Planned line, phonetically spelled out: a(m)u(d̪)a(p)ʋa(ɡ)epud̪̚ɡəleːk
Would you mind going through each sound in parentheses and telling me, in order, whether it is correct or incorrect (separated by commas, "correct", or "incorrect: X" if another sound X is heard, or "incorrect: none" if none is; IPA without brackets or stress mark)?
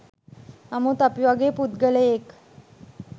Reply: correct, incorrect: t̪, correct, correct